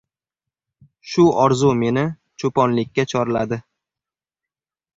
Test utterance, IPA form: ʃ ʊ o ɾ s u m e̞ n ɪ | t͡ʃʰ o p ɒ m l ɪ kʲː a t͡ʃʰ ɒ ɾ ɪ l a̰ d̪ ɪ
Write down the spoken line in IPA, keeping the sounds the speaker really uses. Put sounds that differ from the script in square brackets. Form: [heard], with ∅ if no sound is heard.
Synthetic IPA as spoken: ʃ ʊ [ɒ] ɾ [z] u m e̞ n ɪ | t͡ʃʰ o p ɒ [n] l ɪ kʲː a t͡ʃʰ ɒ ɾ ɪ l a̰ d̪ ɪ